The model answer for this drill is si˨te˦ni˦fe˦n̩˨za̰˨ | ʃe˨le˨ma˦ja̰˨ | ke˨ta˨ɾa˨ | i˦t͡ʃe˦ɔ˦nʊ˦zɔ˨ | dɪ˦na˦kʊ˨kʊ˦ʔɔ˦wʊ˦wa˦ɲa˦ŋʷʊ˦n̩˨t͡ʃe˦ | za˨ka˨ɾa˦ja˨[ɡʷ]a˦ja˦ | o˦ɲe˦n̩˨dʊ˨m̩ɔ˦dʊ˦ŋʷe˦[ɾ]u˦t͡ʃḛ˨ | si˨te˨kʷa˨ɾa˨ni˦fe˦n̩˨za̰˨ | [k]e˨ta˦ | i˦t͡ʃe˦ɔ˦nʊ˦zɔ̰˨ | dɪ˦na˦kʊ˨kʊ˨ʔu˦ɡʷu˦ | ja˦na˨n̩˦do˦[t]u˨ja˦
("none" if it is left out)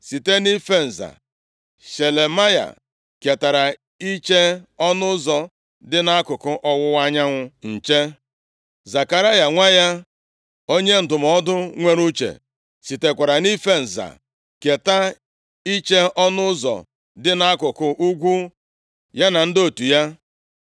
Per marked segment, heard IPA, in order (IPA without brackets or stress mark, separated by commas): ŋʷ, ɾ, k, t